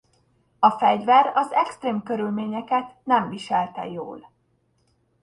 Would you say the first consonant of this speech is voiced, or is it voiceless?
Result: voiceless